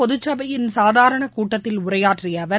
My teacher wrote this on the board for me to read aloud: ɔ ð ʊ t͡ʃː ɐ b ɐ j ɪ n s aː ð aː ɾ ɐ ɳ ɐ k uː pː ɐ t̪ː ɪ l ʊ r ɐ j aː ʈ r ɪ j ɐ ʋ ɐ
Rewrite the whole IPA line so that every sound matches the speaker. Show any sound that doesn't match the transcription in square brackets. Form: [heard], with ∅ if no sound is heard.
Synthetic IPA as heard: ɔ ð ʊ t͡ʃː ɐ b ɐ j ɪ n s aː ð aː ɾ ɐ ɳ ɐ k uː [ʈː] ɐ t̪ː ɪ l ʊ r ɐ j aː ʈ r ɪ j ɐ ʋ ɐ